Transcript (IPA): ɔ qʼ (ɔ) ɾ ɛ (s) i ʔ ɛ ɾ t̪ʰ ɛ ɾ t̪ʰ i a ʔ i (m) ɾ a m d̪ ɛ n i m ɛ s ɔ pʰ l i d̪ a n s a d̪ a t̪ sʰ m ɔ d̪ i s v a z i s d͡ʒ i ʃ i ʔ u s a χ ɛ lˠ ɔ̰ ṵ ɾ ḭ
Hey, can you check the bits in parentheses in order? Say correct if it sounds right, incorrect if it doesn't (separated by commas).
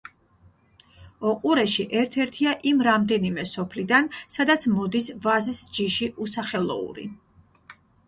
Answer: incorrect, incorrect, correct